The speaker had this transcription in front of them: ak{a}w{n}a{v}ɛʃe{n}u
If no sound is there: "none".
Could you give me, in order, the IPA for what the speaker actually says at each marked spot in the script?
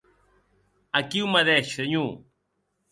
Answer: i, m, ð, ɲ

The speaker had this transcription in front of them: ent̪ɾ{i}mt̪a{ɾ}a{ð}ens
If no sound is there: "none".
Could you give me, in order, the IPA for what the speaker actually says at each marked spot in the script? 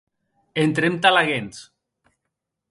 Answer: e, l, ɣ

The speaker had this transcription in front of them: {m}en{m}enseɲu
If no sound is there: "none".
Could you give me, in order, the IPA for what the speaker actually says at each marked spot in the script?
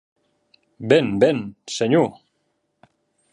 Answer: b, b

